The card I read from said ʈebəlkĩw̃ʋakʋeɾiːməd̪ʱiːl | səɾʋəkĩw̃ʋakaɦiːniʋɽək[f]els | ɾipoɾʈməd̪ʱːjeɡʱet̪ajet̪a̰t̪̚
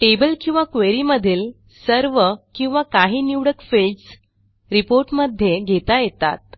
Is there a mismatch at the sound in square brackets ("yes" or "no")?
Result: no